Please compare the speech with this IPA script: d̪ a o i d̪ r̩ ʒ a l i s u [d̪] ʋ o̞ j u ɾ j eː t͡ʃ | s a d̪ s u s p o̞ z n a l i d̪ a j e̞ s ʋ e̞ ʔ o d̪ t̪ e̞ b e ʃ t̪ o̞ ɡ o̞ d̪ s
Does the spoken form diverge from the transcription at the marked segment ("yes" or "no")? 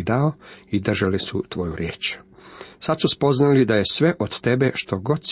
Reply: yes